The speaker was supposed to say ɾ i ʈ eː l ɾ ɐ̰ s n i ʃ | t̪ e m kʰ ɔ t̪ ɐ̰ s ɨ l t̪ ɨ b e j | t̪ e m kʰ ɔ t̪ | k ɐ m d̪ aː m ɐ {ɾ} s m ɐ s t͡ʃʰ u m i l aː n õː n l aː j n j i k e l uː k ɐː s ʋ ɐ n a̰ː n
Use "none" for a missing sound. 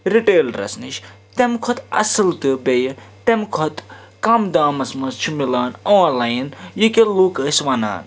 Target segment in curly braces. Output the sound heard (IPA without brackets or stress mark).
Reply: none